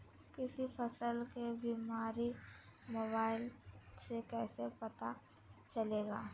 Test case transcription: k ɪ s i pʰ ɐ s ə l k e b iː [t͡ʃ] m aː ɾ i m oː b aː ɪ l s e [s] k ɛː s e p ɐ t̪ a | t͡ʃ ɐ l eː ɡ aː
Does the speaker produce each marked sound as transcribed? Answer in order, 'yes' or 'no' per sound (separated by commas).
no, no